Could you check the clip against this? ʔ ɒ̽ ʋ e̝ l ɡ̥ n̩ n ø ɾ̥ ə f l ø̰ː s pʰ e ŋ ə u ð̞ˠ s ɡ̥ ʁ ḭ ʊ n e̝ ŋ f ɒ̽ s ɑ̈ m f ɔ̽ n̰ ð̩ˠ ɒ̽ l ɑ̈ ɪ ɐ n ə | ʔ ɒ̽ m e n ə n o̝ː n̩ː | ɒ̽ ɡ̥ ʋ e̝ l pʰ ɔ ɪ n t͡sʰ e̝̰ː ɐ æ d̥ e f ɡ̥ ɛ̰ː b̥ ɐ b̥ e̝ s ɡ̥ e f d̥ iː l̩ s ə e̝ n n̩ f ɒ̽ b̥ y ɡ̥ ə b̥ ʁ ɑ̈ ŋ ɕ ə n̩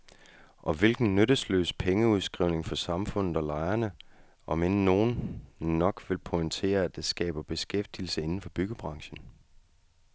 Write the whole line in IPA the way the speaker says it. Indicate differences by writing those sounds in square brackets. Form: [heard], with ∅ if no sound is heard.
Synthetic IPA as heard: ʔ ɒ̽ ʋ e̝ l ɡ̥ n̩ n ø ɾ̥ ə [s] l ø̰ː s pʰ e ŋ ə u ð̞ˠ s ɡ̥ ʁ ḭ ʊ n e̝ ŋ f ɒ̽ s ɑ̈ m f ɔ̽ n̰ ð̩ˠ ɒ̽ l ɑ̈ ɪ ɐ n ə | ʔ ɒ̽ m e n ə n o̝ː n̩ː | ɒ̽ ɡ̥ ʋ e̝ l pʰ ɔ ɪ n t͡sʰ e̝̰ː ɐ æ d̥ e [s] ɡ̥ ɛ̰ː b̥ ɐ b̥ e̝ s ɡ̥ e f d̥ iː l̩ s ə e̝ n n̩ f ɒ̽ b̥ y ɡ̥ ə b̥ ʁ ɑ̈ ŋ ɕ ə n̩